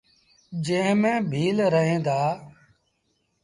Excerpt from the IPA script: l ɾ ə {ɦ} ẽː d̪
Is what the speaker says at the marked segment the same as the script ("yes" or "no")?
yes